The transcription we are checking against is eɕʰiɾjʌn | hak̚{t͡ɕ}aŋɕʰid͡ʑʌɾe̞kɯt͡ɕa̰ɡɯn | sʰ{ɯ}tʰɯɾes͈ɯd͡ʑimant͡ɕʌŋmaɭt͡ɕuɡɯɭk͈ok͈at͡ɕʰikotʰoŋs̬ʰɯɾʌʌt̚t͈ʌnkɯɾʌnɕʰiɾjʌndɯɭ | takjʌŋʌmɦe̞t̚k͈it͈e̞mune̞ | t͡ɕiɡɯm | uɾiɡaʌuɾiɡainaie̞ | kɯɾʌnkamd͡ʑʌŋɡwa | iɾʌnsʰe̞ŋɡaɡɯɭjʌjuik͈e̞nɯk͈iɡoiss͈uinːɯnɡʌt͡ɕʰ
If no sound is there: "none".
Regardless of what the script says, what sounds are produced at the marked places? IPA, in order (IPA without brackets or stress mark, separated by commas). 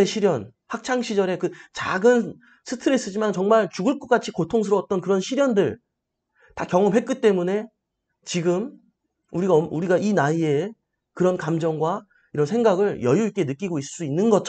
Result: t͡ɕʰ, ɯ